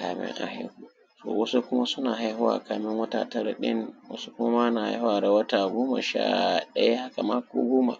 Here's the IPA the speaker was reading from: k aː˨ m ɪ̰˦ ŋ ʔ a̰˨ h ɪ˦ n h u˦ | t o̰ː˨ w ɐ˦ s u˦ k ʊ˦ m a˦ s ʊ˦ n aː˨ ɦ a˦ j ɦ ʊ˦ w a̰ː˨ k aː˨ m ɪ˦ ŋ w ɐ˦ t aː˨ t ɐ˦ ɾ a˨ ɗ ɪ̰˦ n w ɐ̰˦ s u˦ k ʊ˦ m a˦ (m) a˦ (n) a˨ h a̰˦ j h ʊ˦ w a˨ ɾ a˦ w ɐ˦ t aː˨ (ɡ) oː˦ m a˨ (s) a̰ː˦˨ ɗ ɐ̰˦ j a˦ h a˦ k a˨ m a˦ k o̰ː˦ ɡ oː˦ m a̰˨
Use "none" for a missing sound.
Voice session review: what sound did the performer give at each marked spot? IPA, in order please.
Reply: m, n, ɡ, ʃ

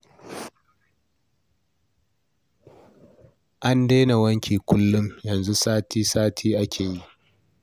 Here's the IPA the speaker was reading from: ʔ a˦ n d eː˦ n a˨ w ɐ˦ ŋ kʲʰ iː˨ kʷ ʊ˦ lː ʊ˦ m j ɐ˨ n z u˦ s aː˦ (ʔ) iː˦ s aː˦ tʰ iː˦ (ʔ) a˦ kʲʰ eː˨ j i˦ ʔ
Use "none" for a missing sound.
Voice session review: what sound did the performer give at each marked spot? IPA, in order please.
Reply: t, ʔ

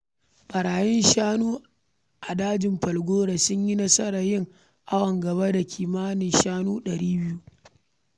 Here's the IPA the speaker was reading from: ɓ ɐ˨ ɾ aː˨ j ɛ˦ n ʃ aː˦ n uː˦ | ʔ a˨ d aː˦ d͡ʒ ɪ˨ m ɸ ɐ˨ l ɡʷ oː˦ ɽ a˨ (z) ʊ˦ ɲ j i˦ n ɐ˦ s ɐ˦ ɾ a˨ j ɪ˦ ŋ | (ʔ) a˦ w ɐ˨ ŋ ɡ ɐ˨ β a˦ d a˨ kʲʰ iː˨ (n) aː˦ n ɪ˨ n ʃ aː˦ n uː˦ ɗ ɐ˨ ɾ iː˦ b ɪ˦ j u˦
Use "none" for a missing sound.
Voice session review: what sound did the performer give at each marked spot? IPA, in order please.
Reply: s, ʔ, m

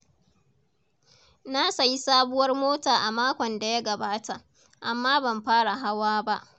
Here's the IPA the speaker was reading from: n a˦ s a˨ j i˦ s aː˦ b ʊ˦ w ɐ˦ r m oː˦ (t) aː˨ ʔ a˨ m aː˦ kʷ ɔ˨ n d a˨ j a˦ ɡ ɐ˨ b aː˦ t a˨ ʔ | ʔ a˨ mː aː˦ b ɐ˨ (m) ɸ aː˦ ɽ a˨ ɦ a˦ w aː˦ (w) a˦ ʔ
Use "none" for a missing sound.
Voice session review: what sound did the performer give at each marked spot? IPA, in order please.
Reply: t, m, b

